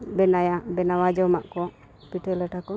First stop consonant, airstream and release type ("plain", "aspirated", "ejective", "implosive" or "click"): plain